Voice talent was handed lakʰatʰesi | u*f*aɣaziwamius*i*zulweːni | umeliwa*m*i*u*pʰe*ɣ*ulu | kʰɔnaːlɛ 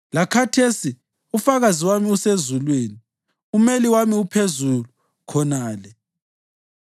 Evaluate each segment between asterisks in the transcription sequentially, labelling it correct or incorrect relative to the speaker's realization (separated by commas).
correct, incorrect, correct, correct, incorrect